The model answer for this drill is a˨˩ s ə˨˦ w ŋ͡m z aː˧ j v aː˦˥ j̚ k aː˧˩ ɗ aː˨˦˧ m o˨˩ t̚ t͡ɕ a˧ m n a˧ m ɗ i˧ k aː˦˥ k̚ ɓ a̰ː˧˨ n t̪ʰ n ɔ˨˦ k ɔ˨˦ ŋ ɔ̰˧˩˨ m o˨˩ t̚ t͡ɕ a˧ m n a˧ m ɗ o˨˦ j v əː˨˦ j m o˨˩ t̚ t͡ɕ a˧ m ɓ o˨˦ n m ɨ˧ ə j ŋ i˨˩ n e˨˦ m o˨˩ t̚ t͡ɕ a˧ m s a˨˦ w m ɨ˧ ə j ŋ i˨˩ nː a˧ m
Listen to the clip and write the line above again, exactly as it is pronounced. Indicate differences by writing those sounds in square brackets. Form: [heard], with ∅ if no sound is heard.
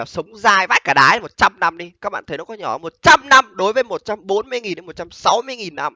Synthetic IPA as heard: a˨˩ s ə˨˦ w ŋ͡m z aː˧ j v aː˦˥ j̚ k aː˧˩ ɗ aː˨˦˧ m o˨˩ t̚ t͡ɕ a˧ m n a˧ m ɗ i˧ k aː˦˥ k̚ ɓ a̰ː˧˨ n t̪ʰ n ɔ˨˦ k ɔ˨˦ [ɲ] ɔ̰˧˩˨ m o˨˩ t̚ t͡ɕ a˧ m n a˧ m ɗ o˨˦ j v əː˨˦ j m o˨˩ t̚ t͡ɕ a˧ m ɓ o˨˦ n m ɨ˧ ə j ŋ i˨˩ n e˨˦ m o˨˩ t̚ t͡ɕ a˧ m s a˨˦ w m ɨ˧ ə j ŋ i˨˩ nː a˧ m